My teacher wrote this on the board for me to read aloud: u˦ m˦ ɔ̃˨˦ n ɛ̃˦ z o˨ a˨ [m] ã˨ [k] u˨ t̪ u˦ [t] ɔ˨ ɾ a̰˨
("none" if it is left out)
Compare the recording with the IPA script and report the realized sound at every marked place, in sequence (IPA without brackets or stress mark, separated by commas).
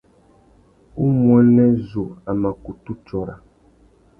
m, k, t͡ʃ